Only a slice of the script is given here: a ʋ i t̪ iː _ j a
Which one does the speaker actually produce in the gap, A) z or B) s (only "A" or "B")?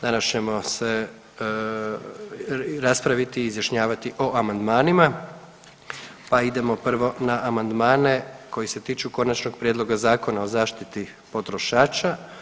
A